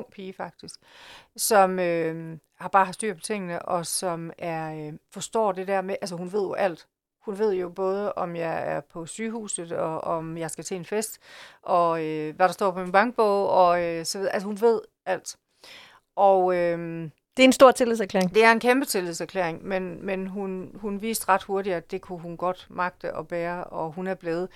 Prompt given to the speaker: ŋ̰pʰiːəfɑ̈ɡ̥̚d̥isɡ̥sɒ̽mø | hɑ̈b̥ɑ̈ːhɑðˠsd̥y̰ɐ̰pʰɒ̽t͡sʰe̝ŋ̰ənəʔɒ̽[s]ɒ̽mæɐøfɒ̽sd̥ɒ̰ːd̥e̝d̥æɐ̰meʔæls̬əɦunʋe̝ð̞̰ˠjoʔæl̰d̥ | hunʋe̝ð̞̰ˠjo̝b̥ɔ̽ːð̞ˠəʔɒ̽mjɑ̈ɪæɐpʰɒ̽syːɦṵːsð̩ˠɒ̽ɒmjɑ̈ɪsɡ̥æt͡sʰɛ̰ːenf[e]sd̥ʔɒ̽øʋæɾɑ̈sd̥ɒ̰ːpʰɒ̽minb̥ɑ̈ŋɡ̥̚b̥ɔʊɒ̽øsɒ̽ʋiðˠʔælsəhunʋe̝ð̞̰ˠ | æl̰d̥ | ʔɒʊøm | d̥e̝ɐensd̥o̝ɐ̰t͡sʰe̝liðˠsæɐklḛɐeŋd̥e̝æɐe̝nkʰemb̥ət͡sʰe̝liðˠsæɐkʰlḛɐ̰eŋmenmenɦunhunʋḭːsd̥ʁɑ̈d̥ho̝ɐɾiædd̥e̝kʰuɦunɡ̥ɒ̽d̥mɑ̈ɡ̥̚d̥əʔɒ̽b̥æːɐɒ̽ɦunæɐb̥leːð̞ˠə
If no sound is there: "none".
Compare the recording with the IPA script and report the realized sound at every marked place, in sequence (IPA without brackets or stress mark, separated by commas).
s, e